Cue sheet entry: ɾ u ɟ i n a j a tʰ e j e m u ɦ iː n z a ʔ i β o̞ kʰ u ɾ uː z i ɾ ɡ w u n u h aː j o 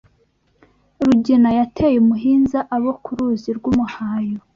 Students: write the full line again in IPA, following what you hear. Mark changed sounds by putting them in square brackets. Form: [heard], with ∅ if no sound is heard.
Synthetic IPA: ɾ u ɟ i n a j a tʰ e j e m u ɦ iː n z a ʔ [a] β o̞ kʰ u ɾ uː z i ɾ ɡ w u [m] u h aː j o